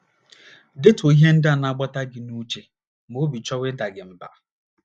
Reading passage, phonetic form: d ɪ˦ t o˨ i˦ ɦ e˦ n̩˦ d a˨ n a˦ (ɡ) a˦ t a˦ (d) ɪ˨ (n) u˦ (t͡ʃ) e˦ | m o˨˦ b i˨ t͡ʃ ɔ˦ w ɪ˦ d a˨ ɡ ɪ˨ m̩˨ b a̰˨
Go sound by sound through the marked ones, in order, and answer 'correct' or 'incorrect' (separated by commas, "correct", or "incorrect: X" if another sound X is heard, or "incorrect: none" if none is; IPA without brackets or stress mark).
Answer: incorrect: ɡ͡b, incorrect: ɡ, correct, correct